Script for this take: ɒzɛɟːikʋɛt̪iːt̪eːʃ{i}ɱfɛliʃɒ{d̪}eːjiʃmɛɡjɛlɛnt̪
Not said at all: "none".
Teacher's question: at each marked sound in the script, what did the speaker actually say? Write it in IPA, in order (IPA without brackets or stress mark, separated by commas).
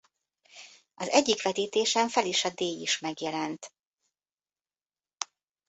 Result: ɛ, d̪